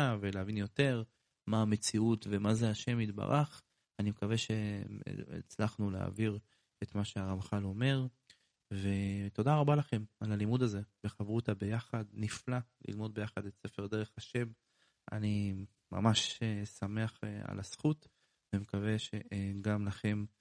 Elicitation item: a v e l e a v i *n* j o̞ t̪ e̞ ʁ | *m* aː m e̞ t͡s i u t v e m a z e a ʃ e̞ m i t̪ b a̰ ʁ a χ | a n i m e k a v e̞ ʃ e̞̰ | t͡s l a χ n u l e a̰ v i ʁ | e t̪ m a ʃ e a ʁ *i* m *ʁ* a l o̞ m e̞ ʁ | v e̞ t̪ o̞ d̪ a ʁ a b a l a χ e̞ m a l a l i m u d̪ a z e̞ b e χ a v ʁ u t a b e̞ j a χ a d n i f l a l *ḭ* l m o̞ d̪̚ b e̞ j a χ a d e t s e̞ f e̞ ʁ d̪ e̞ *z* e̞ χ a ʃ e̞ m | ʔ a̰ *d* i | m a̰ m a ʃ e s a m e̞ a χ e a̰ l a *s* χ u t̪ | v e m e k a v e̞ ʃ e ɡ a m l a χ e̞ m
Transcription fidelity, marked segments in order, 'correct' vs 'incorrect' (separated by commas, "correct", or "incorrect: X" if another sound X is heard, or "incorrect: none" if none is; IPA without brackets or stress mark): correct, correct, incorrect: a, incorrect: χ, correct, incorrect: ʁ, incorrect: n, correct